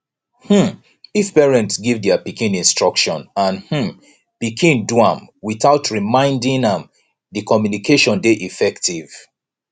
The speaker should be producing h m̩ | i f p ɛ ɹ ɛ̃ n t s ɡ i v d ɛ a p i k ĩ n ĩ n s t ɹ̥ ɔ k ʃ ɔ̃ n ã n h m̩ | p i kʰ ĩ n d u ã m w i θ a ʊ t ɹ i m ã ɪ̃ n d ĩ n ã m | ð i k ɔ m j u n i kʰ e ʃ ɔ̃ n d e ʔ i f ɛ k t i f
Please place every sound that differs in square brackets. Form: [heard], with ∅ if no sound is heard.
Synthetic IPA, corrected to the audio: h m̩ | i f p ɛ ɹ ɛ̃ n t s ɡ i v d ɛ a p i k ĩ n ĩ n s t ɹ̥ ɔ k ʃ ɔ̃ n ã n h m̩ | p i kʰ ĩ n d u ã m w i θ a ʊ t ɹ i m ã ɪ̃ n d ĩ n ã m | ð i k ɔ m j u n i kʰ e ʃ ɔ̃ n d e ʔ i f ɛ k t i [v]